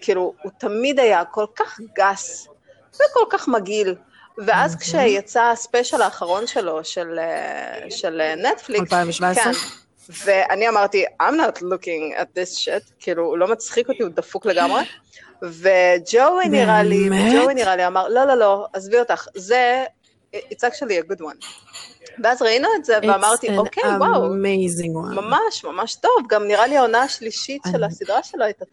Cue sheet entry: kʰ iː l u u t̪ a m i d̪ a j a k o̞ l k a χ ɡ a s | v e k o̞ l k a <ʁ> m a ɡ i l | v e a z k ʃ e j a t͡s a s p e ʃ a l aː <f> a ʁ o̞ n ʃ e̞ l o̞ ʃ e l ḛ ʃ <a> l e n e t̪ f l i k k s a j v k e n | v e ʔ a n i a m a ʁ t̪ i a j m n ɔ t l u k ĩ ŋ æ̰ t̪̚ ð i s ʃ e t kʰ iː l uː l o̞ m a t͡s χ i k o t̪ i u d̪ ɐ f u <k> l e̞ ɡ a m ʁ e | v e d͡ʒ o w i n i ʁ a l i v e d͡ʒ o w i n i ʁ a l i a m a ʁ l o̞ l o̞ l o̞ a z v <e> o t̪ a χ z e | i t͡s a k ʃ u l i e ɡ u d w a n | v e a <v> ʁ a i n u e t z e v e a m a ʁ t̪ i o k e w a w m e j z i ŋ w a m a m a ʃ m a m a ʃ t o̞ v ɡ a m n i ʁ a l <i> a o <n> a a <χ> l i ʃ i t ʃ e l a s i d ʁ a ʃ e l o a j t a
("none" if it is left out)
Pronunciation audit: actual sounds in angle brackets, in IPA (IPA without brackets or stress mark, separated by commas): χ, χ, e, k, i, z, i, n, ʃ